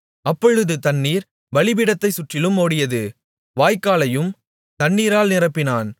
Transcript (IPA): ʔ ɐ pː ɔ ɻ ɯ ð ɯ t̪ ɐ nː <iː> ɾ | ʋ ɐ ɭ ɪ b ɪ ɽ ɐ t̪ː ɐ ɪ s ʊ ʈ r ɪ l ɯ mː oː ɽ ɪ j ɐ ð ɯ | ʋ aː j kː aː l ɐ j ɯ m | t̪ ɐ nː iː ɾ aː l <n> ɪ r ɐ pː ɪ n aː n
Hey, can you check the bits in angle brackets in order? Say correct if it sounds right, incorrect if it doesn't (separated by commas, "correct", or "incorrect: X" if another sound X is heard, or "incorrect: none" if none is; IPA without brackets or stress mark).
correct, correct